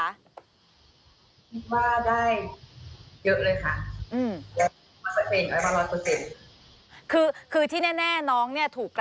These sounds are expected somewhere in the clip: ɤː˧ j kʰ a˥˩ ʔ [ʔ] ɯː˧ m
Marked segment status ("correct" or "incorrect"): correct